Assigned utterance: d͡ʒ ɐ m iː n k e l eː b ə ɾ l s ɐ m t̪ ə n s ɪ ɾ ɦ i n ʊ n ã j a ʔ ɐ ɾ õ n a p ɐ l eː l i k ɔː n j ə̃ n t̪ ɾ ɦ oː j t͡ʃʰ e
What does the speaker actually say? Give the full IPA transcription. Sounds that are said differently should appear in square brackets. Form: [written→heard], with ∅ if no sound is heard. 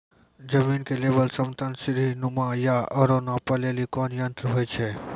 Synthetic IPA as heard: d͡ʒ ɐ m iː n k e l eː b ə [ɾ→∅] l s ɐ m t̪ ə n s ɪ ɾ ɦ i n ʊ [n→m] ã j a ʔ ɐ ɾ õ n a p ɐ l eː l i k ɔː n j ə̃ n t̪ ɾ ɦ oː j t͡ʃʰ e